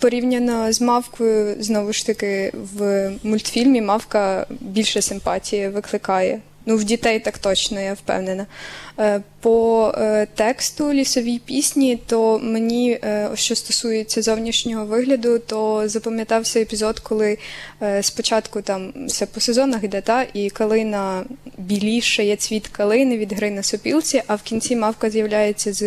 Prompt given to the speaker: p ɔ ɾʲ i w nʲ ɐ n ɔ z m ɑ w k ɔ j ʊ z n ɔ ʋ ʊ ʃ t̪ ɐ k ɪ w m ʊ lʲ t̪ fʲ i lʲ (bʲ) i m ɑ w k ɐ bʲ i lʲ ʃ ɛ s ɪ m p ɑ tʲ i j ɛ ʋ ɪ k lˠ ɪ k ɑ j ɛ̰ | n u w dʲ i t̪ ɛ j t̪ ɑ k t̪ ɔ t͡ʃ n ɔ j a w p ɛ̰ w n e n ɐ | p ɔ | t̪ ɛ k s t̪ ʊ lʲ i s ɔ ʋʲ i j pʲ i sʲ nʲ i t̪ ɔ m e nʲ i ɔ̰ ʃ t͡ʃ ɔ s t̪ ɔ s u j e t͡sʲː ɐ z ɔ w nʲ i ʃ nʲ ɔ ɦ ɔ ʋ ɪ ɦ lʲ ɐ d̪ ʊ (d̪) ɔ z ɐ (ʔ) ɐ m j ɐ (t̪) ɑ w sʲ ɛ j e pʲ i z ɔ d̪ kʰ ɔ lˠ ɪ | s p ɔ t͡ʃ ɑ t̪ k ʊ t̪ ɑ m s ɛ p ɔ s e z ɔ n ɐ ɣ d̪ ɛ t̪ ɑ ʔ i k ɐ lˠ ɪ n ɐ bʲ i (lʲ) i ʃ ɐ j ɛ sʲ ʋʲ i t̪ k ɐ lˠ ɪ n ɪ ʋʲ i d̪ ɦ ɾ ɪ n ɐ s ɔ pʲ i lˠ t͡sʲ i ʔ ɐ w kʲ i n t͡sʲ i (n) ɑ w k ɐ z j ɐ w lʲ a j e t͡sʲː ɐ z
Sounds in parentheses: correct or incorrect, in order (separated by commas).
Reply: incorrect, incorrect, incorrect, correct, correct, incorrect